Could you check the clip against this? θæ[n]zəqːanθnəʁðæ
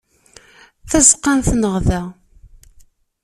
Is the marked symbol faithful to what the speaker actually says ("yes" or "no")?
no